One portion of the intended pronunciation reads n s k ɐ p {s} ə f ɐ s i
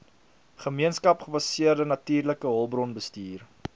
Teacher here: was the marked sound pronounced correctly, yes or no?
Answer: no